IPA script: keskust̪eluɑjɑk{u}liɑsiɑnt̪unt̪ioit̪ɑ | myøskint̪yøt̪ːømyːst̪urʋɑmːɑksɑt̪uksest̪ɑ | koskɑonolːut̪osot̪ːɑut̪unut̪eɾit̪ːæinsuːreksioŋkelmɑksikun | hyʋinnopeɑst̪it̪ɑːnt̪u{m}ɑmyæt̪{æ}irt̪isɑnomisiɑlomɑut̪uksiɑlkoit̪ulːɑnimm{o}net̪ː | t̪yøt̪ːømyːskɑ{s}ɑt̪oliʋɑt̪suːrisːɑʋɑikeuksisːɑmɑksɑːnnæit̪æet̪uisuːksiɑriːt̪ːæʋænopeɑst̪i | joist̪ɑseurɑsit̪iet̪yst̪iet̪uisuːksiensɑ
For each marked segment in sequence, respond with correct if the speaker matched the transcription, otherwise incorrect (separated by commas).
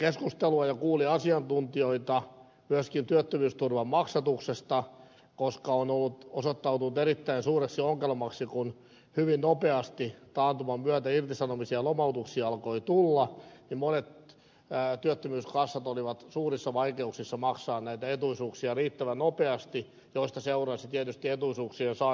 incorrect, correct, correct, correct, incorrect